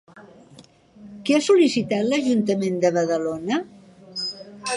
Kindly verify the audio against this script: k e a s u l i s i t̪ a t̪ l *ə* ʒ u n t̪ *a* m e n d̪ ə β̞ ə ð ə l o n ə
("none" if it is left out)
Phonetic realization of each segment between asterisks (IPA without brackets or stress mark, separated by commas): ə, ə